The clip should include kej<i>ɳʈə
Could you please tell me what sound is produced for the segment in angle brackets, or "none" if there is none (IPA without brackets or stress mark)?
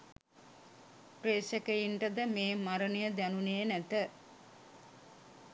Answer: i